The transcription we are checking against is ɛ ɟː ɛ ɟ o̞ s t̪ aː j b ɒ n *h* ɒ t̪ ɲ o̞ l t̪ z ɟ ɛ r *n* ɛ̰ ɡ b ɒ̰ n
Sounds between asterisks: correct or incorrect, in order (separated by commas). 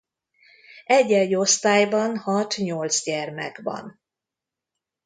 correct, incorrect